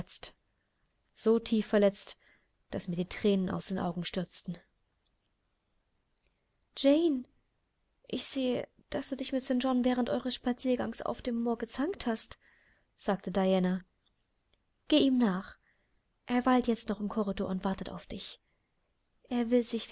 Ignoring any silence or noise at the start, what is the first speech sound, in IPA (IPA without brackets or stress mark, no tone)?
t͡s